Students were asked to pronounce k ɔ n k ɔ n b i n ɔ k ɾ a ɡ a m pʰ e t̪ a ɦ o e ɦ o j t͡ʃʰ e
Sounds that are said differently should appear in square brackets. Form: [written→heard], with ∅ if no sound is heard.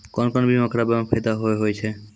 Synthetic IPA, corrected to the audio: k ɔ n k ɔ n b i [n→m] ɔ k ɾ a [ɡ→b] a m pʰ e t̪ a ɦ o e ɦ o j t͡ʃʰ e

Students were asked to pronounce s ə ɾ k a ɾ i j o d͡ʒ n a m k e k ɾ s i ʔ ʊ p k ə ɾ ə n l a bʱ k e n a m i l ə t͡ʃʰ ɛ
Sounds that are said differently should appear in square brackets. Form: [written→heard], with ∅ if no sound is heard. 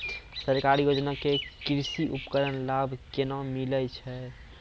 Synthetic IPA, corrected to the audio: s ə ɾ k a ɾ i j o d͡ʒ n a [m→∅] k e k ɾ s i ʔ [ʊ→u] p k ə ɾ ə n l a bʱ k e n a m i l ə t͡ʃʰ ɛ

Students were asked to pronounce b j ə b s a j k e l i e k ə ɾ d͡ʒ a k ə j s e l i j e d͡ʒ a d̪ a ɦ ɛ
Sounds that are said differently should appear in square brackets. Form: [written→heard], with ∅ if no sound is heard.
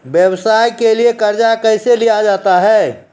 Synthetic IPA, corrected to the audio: b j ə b s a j k e l i e k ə ɾ d͡ʒ a k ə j s e l i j [e→a] d͡ʒ a [d̪→t̪] a ɦ ɛ

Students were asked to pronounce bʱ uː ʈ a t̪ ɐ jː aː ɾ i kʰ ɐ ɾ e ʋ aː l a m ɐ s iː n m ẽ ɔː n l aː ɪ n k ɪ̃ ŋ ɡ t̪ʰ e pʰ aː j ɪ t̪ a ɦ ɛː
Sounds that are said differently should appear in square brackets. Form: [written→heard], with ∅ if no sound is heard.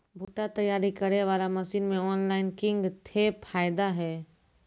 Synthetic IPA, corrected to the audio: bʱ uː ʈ a t̪ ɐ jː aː ɾ i [kʰ→k] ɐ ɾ e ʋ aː l a m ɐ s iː n m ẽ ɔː n l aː ɪ n k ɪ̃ ŋ ɡ t̪ʰ e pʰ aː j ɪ [t̪→d̪] a ɦ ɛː

